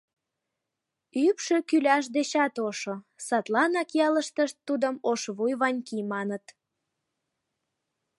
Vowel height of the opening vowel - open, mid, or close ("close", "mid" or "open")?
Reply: close